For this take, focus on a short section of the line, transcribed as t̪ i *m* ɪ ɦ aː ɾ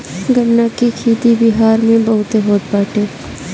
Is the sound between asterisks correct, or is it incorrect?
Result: incorrect